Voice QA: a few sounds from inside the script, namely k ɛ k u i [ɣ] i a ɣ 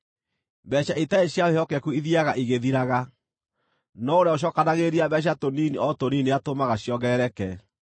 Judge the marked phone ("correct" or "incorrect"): incorrect